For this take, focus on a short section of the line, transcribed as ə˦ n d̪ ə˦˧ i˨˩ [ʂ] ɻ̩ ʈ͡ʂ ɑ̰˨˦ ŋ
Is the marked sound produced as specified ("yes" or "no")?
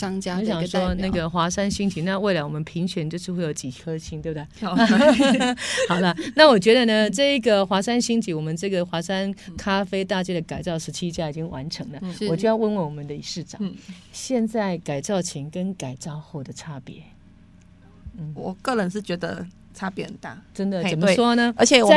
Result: yes